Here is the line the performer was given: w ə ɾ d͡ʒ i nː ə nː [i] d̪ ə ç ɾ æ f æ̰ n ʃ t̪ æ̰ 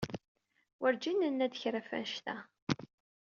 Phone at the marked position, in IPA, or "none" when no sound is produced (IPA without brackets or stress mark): æ